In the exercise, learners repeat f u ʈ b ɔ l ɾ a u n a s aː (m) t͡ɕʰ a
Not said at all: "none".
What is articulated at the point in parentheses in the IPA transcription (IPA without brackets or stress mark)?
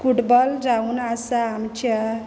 m